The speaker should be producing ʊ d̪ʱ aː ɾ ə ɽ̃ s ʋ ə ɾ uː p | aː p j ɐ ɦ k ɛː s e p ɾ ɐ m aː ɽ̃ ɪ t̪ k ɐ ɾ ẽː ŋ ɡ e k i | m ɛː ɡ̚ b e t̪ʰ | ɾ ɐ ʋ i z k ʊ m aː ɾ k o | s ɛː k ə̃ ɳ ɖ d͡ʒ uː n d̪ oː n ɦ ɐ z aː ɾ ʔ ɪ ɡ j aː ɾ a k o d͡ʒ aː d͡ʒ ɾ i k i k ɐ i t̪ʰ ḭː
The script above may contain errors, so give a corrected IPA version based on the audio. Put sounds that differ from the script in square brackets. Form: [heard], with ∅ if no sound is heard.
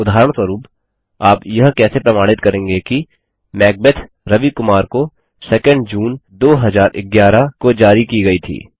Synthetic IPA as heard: ʊ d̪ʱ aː ɾ ə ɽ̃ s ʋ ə ɾ uː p | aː p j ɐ ɦ k ɛː s e p ɾ ɐ m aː ɽ̃ ɪ t̪ k ɐ ɾ ẽː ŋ ɡ e k i | m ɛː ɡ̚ b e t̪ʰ | ɾ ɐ ʋ i [∅] k ʊ m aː ɾ k o | s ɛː k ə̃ ɳ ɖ d͡ʒ uː n d̪ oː [∅] ɦ ɐ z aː ɾ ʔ ɪ ɡ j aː ɾ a k o d͡ʒ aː [∅] ɾ i k i [ɡ] ɐ i t̪ʰ ḭː